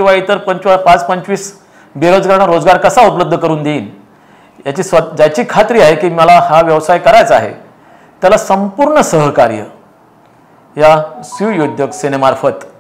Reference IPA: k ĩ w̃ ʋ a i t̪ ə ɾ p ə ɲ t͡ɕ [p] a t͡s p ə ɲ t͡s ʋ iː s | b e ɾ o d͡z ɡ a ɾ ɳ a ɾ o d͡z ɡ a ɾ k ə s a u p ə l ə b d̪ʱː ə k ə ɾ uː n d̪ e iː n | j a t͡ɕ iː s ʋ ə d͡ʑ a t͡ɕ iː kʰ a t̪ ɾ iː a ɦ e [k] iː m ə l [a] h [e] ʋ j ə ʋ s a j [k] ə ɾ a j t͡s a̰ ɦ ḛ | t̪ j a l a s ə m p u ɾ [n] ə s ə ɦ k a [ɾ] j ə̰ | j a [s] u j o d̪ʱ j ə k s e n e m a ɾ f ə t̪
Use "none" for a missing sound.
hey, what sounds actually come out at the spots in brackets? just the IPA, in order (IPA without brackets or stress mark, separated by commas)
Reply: p, k, a, a, k, ɳ, ɾ, s